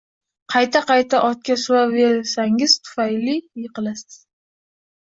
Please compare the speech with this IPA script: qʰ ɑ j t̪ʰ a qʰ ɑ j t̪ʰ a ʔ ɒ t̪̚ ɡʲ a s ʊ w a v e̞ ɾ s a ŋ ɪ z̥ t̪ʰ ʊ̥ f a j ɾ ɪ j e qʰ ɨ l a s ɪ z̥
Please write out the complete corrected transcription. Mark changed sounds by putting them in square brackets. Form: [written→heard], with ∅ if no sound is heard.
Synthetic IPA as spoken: qʰ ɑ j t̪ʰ a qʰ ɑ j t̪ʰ a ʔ ɒ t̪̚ [ɡʲ→kʲ] a s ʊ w a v e̞ ɾ s a ŋ ɪ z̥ t̪ʰ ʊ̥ f a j [ɾ→l] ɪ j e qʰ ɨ l a s ɪ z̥